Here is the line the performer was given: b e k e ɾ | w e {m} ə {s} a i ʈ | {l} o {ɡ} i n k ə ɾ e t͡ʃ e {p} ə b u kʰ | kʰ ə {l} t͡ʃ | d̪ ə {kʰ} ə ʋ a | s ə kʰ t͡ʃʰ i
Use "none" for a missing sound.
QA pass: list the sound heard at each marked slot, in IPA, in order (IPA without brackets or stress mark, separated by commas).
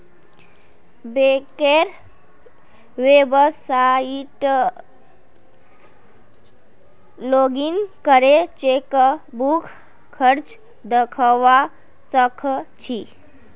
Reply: b, s, l, ɡ, k, ɾ, kʰ